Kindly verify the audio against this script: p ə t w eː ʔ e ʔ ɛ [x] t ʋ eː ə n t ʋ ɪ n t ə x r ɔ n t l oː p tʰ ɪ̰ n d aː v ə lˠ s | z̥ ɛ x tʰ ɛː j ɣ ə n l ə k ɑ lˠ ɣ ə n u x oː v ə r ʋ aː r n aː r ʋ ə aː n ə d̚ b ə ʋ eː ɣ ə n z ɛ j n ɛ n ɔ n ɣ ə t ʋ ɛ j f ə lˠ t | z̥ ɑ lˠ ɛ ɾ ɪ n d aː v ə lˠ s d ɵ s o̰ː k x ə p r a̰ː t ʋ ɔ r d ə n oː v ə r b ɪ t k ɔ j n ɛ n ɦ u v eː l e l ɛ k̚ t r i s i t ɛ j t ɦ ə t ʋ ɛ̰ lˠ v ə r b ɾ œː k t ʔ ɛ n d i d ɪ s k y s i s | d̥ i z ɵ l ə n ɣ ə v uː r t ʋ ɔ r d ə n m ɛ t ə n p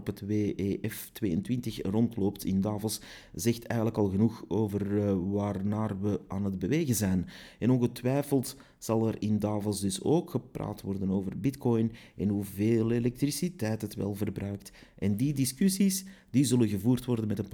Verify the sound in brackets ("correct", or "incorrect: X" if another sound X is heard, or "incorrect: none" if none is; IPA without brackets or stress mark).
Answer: incorrect: f